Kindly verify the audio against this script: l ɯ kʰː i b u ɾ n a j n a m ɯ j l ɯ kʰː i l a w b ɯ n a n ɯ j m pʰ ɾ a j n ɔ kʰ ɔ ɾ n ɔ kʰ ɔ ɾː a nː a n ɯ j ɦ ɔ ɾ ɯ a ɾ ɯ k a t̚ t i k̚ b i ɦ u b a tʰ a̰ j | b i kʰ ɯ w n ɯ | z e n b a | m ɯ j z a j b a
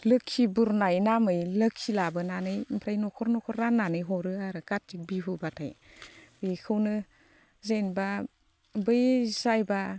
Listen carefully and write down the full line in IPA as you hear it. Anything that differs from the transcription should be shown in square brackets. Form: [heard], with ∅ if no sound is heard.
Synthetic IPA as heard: l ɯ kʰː i b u ɾ n a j n a m ɯ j l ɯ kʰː i l a [∅] b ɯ n a n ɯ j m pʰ ɾ a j n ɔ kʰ ɔ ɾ n ɔ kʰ ɔ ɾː a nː a n ɯ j ɦ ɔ ɾ ɯ a ɾ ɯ k a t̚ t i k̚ b i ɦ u b a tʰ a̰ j | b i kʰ ɯ w n ɯ | z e n b a | [b] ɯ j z a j b a